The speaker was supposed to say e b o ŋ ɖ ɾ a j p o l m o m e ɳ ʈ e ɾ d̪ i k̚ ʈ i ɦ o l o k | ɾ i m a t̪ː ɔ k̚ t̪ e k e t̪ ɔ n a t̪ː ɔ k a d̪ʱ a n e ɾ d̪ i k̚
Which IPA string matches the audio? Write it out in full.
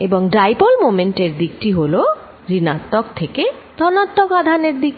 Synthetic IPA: e b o ŋ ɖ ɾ a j p o l m o m e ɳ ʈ e ɾ d̪ i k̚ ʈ i ɦ o l o | ɾ i n a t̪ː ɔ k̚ t̪ʰ e k e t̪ ɔ n a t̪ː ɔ k a d̪ʱ a n e ɾ d̪ i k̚